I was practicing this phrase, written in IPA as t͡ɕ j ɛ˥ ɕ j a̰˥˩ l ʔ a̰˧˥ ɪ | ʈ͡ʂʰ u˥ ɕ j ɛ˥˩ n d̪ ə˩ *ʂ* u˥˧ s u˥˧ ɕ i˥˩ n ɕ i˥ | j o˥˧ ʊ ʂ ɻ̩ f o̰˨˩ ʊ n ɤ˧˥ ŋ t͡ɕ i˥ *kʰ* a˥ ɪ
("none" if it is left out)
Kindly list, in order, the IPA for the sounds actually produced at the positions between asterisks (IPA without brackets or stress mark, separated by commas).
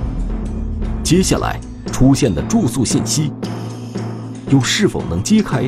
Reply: ʈ͡ʂ, kʰ